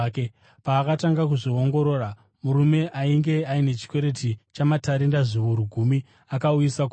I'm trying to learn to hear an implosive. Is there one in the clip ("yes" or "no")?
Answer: no